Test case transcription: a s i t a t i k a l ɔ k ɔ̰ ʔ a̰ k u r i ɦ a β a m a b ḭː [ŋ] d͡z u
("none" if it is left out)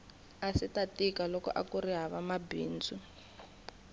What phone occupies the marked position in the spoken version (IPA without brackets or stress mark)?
n